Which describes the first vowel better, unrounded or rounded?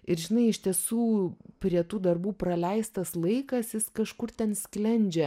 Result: unrounded